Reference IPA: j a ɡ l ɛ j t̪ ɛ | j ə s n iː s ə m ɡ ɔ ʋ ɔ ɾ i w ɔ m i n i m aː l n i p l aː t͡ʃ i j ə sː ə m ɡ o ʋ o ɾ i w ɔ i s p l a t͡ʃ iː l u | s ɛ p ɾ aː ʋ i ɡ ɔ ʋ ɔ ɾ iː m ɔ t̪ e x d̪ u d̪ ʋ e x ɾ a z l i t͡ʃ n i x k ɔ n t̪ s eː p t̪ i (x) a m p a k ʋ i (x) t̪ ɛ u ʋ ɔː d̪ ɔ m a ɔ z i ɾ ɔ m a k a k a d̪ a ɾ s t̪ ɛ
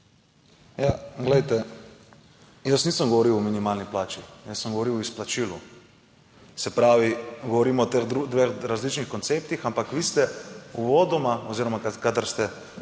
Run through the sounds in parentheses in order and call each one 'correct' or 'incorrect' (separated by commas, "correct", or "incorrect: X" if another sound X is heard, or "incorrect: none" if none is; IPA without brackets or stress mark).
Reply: correct, incorrect: s